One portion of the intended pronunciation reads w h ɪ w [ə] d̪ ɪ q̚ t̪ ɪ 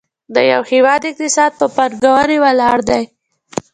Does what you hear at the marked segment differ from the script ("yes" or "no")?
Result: yes